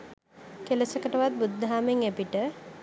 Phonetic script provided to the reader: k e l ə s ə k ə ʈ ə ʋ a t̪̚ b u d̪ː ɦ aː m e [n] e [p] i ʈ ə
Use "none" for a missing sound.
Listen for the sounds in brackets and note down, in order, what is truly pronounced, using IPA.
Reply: ŋ, p

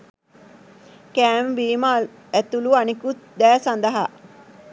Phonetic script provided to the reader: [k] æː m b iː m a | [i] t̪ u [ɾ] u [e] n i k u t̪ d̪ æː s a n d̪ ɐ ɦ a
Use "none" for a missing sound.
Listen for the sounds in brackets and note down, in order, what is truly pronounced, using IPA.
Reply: k, æ, l, a

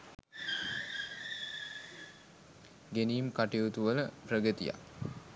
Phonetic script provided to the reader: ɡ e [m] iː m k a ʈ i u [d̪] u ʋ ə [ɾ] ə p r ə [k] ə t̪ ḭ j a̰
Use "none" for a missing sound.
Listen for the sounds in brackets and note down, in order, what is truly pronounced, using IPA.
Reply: n, t̪, l, ɡ

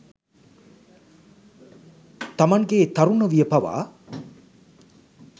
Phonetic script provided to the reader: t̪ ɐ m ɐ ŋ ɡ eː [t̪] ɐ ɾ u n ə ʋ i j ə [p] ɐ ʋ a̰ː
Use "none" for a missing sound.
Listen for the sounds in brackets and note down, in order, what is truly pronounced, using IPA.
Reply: t̪, p

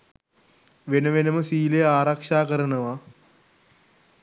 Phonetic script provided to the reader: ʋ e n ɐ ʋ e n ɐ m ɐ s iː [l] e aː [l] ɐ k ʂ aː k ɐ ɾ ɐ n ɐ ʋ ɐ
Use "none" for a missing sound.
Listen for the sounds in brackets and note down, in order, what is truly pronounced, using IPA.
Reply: l, ɾ

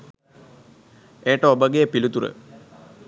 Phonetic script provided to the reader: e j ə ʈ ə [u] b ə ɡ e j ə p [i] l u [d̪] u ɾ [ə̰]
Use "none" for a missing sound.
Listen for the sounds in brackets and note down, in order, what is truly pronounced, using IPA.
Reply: o, i, t̪, ə̰

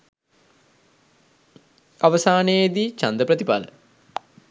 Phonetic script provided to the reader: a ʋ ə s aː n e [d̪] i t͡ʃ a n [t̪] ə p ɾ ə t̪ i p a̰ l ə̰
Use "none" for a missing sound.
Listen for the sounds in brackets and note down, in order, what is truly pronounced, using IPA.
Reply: d̪, d̪

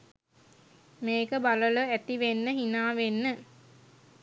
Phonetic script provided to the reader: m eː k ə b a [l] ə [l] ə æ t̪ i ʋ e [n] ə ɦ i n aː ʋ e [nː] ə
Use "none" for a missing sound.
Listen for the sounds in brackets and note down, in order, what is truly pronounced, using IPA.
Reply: l, l, nː, nː

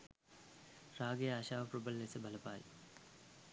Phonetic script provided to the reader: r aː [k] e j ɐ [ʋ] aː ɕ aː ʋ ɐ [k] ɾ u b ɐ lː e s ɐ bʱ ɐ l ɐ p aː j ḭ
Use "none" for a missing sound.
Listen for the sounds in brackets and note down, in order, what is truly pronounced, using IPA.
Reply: ɡ, none, p

